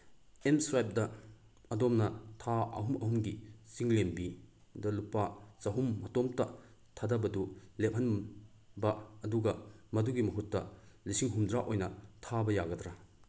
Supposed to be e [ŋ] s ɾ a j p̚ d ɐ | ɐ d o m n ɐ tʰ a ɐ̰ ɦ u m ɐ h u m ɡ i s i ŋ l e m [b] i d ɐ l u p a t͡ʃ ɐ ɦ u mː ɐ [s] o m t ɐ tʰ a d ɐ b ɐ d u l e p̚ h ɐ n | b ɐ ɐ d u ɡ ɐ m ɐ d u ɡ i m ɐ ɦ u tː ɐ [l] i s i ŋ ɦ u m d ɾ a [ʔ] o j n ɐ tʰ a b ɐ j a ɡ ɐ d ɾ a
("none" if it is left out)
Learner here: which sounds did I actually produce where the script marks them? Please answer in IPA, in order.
m, b, t, l, ʔ

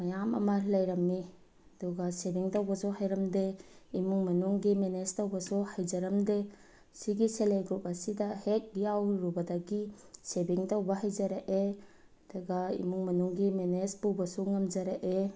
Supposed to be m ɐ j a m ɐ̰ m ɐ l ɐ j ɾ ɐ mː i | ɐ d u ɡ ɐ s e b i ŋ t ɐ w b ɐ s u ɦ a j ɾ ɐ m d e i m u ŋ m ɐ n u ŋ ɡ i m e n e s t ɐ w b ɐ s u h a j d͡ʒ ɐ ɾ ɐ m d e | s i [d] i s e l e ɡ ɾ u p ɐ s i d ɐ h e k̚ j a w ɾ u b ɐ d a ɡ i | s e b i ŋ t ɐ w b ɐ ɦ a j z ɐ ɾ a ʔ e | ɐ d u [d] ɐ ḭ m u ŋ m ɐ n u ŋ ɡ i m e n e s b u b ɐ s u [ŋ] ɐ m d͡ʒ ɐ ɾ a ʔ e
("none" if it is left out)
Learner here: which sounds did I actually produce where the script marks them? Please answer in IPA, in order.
ɡ, ɡ, ŋ

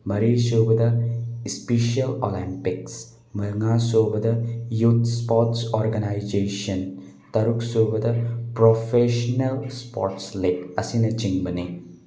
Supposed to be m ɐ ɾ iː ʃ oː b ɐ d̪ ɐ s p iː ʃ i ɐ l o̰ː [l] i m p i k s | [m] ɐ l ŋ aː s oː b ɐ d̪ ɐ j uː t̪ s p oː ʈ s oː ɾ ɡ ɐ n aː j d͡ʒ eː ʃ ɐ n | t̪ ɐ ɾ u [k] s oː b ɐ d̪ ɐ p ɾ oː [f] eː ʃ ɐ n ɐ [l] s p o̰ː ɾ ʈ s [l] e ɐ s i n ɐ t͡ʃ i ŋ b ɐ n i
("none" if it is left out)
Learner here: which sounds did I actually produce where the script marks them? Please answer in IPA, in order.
l, m, k, f, l, l

